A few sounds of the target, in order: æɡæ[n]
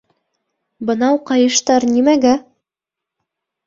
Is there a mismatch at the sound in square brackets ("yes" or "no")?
yes